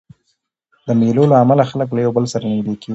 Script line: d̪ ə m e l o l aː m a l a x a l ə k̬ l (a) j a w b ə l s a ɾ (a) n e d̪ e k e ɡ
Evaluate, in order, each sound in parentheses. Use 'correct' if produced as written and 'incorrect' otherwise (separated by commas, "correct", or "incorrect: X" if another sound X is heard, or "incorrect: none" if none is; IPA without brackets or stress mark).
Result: correct, correct